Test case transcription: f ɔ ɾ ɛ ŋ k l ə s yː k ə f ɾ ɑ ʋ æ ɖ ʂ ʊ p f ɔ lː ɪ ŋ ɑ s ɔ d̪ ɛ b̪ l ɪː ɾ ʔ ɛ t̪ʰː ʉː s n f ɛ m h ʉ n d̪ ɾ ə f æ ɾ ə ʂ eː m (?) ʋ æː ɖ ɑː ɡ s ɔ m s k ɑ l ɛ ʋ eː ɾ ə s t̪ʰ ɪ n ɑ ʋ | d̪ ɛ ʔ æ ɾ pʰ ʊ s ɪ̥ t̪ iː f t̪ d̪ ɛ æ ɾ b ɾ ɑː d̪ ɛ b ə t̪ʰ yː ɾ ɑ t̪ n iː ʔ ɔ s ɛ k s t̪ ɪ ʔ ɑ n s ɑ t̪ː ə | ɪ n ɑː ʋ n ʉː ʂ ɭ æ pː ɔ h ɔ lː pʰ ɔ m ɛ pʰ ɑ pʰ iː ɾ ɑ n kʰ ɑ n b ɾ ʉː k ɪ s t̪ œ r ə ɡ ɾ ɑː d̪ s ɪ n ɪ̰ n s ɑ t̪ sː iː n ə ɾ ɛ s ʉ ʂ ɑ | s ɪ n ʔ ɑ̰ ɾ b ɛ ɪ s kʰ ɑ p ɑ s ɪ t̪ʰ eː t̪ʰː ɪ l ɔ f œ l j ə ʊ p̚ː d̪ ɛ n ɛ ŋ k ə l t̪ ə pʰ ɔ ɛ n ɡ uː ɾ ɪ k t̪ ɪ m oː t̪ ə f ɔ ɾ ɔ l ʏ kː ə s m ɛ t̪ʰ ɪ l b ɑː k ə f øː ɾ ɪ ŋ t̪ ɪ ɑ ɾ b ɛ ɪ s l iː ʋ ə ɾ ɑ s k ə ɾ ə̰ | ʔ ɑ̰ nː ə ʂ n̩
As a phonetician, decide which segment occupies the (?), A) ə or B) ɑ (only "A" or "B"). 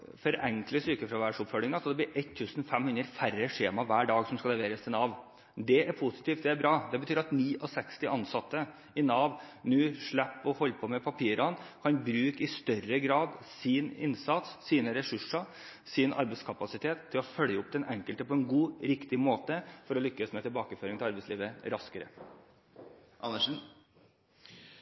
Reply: B